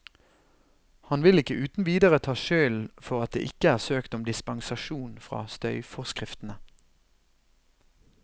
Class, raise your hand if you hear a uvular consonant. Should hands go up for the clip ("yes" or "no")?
yes